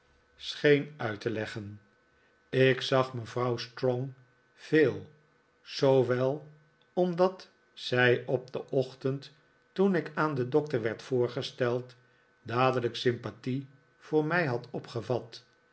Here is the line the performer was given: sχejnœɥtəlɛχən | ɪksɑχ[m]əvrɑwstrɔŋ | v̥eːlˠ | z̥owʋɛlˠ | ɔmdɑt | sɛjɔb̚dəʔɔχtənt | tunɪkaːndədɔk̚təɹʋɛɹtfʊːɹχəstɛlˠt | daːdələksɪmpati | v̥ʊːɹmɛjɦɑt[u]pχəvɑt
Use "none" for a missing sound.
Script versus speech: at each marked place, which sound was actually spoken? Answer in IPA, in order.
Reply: m, ɔ

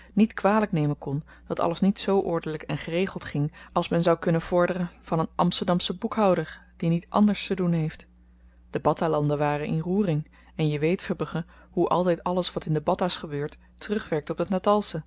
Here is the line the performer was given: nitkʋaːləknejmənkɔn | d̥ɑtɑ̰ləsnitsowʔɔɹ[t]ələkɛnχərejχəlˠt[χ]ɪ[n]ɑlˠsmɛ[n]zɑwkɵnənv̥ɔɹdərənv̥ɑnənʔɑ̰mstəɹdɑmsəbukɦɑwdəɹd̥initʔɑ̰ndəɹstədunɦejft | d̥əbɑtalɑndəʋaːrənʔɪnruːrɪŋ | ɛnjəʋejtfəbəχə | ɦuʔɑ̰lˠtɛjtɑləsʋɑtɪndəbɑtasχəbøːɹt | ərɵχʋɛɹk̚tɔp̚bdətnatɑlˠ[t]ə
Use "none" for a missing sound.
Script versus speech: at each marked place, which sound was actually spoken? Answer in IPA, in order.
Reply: d, χ, ŋ, n, s

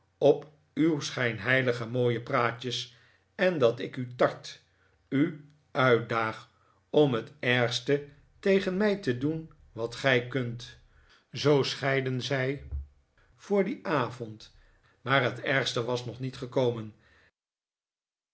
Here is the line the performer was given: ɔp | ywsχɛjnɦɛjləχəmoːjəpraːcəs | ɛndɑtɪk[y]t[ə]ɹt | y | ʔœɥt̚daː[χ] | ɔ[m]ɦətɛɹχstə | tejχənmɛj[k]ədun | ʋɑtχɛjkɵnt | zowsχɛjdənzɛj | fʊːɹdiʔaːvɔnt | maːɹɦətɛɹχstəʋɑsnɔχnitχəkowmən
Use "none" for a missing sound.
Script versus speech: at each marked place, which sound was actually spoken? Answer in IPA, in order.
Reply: y, ɑ, χ, m, t

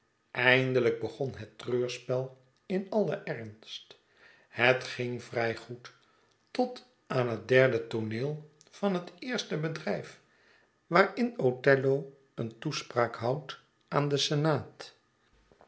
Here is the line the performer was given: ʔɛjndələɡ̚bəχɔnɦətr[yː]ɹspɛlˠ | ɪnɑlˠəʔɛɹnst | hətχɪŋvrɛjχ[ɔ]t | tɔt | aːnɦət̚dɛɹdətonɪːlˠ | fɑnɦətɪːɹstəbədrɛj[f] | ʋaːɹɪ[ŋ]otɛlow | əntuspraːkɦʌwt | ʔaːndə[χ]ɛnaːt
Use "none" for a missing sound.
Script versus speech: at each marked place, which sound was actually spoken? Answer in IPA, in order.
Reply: øː, u, f, n, s

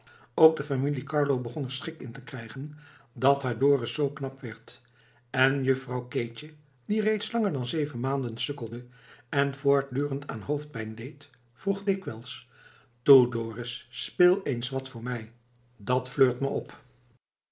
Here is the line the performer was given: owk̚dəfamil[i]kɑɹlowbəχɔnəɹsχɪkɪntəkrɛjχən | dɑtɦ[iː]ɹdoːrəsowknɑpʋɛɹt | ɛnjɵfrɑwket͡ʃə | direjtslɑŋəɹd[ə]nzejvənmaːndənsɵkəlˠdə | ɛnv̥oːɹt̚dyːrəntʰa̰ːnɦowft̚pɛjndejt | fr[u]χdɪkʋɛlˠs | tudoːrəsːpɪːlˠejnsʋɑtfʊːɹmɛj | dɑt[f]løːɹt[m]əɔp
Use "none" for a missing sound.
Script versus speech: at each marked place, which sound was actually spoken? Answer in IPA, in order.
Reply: i, aː, ɑ, u, f, m

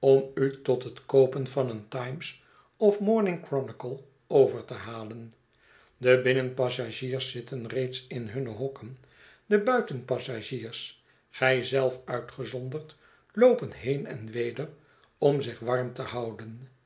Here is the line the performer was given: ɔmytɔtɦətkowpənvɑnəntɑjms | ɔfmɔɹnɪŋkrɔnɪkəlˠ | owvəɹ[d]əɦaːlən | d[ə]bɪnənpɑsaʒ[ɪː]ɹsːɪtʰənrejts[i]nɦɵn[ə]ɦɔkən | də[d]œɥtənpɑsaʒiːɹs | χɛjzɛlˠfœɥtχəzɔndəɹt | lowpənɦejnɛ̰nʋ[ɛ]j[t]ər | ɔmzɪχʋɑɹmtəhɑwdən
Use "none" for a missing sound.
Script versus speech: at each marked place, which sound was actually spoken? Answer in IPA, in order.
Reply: t, ə, iː, ɪ, ə, b, e, d

